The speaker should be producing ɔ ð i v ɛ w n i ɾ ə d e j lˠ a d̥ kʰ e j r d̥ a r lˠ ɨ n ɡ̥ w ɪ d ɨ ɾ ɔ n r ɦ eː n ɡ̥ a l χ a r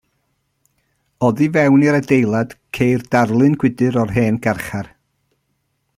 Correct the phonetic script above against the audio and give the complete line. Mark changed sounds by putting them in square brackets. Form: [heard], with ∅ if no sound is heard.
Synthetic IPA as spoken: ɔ ð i v ɛ w n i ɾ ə d e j lˠ a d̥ kʰ e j r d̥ a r lˠ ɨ n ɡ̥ w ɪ d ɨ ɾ ɔ [∅] r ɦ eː n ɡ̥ a [r] χ a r